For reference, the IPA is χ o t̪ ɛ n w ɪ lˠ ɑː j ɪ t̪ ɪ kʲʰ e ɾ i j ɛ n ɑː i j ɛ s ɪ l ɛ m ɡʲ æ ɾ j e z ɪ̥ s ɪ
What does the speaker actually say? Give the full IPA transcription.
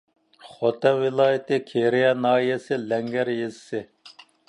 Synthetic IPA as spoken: χ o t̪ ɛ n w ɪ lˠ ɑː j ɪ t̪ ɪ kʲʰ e ɾ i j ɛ n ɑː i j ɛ s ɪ l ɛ ŋ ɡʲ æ ɾ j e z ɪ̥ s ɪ